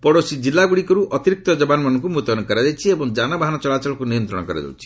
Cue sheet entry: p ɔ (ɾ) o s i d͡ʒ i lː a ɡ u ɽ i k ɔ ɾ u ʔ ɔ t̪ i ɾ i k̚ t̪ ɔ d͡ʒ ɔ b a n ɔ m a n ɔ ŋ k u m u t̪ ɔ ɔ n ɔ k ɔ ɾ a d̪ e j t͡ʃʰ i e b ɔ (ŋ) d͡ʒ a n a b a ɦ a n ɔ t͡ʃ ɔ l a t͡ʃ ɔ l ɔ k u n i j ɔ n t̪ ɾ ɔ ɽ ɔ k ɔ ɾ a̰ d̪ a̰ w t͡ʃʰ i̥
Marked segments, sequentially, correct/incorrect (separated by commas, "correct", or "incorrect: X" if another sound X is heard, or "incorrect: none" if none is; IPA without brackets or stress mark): incorrect: ɽ, correct